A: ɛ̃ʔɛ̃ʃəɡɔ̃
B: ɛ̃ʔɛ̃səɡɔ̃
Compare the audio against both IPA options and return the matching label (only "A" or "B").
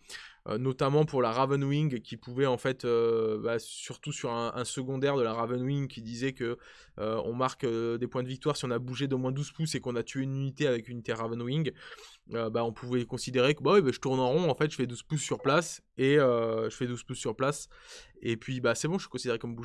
B